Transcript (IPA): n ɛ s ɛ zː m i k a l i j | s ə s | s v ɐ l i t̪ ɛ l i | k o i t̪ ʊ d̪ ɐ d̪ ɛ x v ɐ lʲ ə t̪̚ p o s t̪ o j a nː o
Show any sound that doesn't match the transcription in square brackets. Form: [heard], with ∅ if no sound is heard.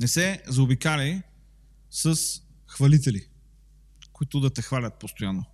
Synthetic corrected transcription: n ɛ s ɛ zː [b] i k a l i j | s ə s | [x] v ɐ l i t̪ ɛ l i | k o i t̪ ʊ d̪ ɐ [t̪] ɛ x v [a] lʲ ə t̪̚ p o s t̪ o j a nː o